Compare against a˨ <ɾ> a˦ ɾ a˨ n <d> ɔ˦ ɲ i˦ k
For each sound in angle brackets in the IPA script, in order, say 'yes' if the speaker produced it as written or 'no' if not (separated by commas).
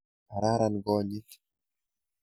yes, no